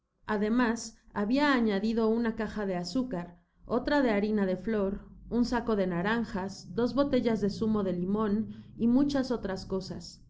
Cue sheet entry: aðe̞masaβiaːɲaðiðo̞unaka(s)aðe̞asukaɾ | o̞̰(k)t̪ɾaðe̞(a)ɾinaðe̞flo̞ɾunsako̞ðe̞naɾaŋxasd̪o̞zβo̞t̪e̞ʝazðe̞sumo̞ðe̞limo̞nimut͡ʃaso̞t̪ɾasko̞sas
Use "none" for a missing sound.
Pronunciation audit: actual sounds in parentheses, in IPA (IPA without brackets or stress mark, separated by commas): x, none, a